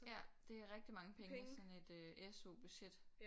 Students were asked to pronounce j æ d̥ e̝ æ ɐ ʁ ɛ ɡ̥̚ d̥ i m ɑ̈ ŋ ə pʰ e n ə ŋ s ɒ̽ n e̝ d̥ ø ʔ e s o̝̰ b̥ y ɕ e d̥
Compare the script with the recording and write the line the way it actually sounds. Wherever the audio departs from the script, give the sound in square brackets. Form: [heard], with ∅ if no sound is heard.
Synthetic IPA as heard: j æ d̥ e̝ æ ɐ ʁ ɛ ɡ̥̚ d̥ i m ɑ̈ ŋ ə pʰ e [ŋ] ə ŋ s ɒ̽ n e̝ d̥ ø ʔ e s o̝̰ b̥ y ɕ e d̥